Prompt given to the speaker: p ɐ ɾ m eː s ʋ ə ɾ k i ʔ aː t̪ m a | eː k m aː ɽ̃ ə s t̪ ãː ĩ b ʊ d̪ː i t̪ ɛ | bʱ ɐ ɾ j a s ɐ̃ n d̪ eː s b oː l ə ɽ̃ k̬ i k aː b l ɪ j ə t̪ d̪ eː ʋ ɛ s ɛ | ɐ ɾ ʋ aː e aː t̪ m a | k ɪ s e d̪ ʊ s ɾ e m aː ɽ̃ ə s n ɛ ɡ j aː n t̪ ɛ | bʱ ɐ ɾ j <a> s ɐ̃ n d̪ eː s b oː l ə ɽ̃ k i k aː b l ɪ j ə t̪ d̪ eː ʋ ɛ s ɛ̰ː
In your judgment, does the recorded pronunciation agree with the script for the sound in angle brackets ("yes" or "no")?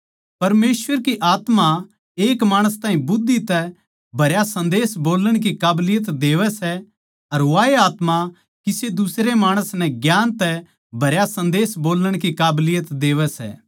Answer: yes